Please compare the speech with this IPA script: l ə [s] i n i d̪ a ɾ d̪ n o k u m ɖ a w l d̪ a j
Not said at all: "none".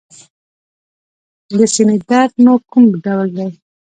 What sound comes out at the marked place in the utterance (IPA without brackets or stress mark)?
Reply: s